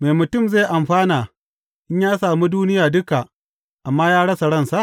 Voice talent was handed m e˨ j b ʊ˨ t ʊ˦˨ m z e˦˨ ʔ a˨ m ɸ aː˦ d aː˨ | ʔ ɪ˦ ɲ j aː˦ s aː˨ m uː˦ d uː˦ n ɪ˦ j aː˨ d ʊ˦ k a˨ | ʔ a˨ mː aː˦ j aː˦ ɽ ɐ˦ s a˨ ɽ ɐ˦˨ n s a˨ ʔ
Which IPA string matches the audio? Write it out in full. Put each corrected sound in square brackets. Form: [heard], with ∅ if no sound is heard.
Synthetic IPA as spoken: m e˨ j [m] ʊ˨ t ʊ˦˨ m z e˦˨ ʔ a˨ m ɸ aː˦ [n] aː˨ | ʔ ɪ˦ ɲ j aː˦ s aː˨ m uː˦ d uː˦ n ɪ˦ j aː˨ d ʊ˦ k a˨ | ʔ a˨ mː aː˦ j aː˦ ɽ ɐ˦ s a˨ ɽ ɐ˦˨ n s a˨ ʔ

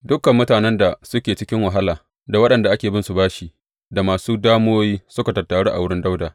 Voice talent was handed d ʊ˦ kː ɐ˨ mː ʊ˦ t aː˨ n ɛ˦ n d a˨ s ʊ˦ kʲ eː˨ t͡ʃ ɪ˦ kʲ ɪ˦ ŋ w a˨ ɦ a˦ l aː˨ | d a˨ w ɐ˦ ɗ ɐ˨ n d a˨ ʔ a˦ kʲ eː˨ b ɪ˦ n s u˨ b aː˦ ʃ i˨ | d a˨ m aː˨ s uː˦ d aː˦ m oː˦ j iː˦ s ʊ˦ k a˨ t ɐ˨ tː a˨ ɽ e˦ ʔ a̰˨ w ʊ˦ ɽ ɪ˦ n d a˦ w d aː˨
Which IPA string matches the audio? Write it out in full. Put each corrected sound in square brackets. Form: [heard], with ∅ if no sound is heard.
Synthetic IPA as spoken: d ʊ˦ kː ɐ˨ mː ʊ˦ t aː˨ n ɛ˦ n d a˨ s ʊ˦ kʲ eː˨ t͡ʃ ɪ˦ kʲ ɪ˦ ŋ w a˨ ɦ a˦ l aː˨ | d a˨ w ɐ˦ ɗ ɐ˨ n d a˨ ʔ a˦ kʲ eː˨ b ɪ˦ n s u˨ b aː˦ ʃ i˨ | d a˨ m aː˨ s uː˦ d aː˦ m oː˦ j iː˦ s ʊ˦ k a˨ t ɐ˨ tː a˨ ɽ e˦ ʔ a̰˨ w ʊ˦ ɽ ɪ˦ n d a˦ w d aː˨

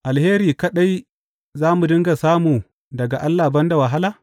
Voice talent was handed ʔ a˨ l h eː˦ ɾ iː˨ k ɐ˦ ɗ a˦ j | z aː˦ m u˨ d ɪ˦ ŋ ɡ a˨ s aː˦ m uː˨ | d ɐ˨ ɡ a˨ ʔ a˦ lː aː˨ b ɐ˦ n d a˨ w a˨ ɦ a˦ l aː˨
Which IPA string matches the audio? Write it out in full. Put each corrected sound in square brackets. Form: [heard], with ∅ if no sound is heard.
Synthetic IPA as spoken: ʔ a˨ l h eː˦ ɾ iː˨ k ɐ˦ ɗ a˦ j | z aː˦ m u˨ d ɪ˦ ŋ ɡ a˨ s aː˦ m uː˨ | d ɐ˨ ɡ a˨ ʔ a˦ lː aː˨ b ɐ˦ n d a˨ w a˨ ɦ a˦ l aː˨

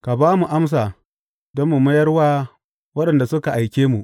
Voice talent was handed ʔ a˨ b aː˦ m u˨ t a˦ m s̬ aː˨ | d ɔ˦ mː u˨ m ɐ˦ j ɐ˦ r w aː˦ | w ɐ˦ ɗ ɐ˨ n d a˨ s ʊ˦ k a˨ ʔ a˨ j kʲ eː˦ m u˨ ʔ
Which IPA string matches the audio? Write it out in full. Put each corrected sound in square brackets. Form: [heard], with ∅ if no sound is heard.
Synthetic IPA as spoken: [k] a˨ b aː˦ m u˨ [ʔ] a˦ m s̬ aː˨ | d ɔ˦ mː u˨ m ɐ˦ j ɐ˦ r w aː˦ | w ɐ˦ ɗ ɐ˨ n d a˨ s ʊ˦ k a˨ ʔ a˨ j kʲ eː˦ m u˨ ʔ

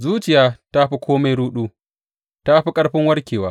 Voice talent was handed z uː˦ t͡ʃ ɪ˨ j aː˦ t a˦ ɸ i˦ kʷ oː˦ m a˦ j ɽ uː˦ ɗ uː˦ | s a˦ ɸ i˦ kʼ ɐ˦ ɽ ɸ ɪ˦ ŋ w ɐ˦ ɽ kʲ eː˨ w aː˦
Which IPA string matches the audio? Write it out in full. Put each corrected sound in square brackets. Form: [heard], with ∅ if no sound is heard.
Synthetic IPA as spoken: z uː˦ t͡ʃ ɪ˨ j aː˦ t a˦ ɸ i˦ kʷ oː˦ m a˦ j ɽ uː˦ ɗ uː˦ | [t] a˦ ɸ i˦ kʼ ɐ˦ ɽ ɸ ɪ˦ ŋ w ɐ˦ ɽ kʲ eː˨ w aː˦

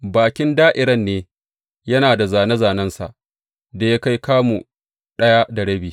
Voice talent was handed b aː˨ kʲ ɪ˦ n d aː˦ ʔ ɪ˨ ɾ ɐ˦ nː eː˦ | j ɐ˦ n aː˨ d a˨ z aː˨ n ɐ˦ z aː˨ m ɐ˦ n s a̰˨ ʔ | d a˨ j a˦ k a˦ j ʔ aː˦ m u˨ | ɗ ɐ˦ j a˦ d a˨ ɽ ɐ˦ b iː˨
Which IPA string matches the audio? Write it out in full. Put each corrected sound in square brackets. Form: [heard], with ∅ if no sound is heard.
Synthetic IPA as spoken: b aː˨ kʲ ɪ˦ n d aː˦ ʔ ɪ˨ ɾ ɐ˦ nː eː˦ | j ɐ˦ n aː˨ d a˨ z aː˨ n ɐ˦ z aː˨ [n] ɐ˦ n s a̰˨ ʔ | d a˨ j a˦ k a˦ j [k] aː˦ m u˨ | ɗ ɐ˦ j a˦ d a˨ ɽ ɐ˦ b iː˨

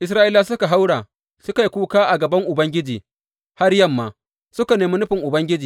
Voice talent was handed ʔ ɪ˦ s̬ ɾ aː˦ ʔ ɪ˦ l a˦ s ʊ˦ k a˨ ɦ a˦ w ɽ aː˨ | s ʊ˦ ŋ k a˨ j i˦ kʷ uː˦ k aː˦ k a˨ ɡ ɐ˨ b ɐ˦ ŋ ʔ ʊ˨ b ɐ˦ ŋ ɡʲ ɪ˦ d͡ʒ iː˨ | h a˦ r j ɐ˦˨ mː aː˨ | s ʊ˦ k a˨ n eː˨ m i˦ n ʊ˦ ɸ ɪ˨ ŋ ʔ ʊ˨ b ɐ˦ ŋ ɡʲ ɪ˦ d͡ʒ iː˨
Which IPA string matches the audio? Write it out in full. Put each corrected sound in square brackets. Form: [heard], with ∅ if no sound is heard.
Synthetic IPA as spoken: ʔ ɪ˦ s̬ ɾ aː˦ ʔ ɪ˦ l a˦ s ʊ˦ k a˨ ɦ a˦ w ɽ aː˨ | s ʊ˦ [∅] k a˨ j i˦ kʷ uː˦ k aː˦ [ʔ] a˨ ɡ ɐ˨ b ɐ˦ ŋ ʔ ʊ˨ b ɐ˦ ŋ ɡʲ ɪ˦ d͡ʒ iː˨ | h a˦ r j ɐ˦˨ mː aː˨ | s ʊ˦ k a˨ n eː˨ m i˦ n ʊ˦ ɸ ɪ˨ ŋ ʔ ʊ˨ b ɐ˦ ŋ ɡʲ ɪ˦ d͡ʒ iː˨

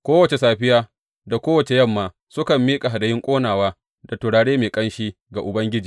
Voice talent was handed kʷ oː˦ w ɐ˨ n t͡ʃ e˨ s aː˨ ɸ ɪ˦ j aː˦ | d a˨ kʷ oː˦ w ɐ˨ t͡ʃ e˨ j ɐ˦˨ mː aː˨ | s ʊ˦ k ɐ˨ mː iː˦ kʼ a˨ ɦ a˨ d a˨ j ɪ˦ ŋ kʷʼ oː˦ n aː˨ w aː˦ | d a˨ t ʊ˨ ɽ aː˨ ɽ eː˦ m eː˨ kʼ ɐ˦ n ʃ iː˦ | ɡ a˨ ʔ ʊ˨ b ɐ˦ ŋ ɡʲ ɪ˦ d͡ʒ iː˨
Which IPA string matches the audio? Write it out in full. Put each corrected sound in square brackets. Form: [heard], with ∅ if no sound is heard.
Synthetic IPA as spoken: kʷ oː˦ w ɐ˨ [∅] t͡ʃ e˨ s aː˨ ɸ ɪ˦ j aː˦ | d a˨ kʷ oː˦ w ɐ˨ t͡ʃ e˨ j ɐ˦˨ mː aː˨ | s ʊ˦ k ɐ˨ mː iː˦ kʼ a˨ ɦ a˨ d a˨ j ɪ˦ ŋ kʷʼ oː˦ n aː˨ w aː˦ | d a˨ t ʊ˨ ɽ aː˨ ɽ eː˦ m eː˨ kʼ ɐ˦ n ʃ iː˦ | ɡ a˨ ʔ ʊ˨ b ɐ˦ ŋ ɡʲ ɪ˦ d͡ʒ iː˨

